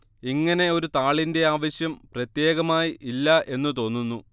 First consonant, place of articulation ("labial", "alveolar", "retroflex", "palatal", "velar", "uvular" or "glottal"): velar